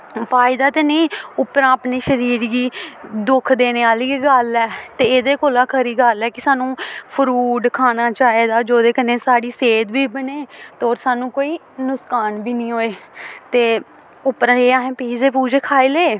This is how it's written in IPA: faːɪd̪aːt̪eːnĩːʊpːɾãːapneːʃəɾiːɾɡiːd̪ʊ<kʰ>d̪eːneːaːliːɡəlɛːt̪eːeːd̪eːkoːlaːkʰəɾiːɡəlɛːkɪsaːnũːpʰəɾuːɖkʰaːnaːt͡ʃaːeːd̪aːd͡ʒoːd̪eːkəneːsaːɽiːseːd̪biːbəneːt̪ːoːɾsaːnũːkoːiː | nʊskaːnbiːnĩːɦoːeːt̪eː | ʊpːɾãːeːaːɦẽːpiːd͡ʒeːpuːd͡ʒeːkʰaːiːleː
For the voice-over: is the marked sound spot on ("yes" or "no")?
yes